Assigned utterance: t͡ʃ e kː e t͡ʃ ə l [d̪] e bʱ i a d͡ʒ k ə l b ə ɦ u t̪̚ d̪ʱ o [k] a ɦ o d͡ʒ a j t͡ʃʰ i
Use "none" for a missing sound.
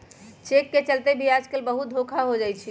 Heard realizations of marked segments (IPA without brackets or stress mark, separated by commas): t̪, kʰ